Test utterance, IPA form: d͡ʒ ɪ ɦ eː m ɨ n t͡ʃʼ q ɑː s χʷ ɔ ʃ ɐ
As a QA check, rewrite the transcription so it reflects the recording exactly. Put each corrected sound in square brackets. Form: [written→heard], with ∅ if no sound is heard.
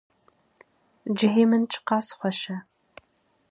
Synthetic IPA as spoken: d͡ʒ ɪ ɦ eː m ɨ n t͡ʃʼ q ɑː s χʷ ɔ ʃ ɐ

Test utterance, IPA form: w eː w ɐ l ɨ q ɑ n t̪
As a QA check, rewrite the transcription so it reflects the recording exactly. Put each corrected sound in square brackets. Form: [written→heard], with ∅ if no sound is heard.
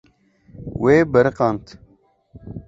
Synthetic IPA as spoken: w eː [w→b] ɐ [l→ɾ] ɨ q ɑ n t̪

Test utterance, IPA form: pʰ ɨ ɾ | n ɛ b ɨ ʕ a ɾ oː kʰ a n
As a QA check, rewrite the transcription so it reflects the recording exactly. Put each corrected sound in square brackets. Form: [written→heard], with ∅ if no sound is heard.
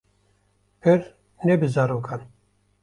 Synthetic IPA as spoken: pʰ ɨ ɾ | n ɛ b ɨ [ʕ→z] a ɾ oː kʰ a n

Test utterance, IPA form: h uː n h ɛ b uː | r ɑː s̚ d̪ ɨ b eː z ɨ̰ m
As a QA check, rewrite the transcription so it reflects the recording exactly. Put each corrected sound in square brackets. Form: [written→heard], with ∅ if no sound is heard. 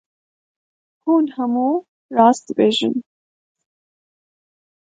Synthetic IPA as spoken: h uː n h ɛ [b→m] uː | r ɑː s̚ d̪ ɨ b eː [z→ʒ] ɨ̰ [m→n]

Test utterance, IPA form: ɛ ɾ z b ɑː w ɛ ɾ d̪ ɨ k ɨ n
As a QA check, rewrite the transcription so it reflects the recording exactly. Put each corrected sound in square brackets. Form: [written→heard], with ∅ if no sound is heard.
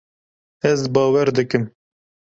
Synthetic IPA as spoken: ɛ [ɾ→∅] z b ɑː w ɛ ɾ d̪ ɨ k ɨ [n→m]

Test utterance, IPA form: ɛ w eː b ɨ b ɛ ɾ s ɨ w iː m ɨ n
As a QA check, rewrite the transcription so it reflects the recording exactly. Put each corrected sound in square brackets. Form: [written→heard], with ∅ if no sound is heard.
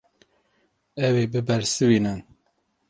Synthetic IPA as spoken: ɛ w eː b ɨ b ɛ ɾ s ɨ w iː [m→n] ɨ n

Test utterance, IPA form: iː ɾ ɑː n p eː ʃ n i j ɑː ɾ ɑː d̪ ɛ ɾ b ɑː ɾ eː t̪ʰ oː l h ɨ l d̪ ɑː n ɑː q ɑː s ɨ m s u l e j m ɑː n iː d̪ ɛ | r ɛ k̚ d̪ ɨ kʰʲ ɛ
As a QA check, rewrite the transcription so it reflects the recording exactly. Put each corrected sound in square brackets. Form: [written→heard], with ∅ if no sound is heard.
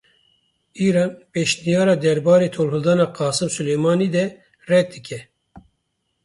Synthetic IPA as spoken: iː ɾ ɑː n p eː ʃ n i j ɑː ɾ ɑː d̪ ɛ ɾ b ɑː ɾ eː t̪ʰ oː l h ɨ l d̪ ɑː n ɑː q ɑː s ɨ m s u l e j m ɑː n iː d̪ ɛ | r ɛ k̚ d̪ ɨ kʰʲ ɛ

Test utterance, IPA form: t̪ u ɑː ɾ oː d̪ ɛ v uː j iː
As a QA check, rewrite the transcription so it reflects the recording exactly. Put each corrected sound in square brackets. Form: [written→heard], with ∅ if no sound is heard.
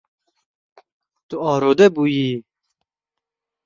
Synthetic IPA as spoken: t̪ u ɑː ɾ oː d̪ ɛ [v→b] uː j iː

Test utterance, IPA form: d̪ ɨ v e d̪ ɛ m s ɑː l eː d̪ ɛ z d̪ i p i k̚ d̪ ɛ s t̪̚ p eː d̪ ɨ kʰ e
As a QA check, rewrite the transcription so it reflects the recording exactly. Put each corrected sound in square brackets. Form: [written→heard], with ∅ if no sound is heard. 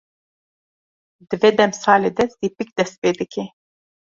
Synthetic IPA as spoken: d̪ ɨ v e d̪ ɛ m s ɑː l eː d̪ ɛ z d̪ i p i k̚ d̪ ɛ s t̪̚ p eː d̪ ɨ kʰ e

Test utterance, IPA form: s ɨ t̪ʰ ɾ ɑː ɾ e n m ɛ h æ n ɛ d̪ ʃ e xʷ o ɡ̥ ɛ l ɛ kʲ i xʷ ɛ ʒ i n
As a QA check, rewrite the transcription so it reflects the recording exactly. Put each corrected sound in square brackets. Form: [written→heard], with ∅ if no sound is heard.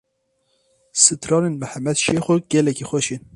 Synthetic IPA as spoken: s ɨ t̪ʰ ɾ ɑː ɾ e n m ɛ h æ [n→m] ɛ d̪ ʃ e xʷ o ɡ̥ ɛ l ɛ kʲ i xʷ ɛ [ʒ→ʃ] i n

